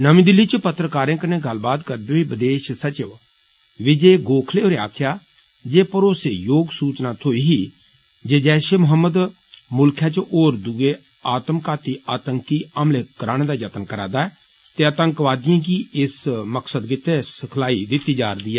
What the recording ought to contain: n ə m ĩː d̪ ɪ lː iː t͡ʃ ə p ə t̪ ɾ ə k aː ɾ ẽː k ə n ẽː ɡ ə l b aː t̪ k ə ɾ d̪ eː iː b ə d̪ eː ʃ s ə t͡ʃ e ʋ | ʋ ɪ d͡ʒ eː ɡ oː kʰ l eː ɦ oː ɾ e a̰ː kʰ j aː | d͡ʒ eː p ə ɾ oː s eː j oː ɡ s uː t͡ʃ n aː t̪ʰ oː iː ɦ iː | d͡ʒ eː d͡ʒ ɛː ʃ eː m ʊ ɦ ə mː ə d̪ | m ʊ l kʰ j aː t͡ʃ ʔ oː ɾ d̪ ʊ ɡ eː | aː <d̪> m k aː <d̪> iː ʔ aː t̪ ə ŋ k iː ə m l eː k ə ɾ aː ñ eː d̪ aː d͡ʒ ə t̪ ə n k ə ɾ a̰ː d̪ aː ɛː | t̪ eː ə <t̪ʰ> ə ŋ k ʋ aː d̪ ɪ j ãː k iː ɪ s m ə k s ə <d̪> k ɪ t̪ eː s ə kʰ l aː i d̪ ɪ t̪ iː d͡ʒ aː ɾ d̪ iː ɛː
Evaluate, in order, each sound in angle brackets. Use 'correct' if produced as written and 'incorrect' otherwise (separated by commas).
incorrect, incorrect, incorrect, correct